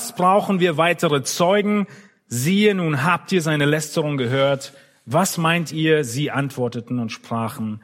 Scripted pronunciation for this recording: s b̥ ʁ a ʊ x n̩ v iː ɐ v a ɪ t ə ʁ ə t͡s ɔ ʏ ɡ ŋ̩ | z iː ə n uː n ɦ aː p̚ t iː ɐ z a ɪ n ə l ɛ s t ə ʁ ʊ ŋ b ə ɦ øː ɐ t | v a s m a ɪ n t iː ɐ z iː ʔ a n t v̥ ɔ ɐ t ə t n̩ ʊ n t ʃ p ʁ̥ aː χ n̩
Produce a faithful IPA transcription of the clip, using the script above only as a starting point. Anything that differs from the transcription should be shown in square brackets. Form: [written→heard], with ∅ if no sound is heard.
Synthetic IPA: s b̥ ʁ a ʊ x n̩ v iː ɐ v a ɪ t ə ʁ ə t͡s ɔ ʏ ɡ ŋ̩ | z iː ə n uː n ɦ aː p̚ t iː ɐ z a ɪ n ə l ɛ s t ə ʁ ʊ ŋ [b→ɡ] ə ɦ øː ɐ t | v a s m a ɪ n t iː ɐ z iː ʔ a n t v̥ ɔ ɐ t ə t n̩ ʊ n t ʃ p ʁ̥ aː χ n̩